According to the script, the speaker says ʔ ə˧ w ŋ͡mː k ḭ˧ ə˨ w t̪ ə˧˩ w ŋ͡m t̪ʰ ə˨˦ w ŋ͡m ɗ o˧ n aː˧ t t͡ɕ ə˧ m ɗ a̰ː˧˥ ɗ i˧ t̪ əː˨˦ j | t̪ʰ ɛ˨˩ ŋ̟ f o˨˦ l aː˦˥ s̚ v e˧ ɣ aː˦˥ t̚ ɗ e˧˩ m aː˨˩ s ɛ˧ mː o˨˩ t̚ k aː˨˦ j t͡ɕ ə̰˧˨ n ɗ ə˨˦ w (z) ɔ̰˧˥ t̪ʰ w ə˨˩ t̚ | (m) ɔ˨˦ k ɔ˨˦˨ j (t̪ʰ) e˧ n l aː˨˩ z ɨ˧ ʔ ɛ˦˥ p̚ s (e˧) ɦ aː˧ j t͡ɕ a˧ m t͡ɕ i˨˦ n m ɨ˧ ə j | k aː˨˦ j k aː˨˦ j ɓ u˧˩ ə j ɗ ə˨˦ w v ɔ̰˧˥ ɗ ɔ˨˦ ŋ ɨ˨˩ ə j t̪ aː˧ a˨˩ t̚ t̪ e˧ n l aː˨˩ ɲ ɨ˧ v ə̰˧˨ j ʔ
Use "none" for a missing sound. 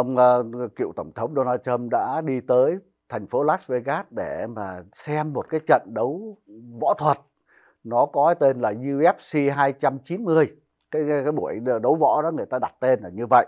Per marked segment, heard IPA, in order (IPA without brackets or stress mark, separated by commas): v, n, t̪, i˧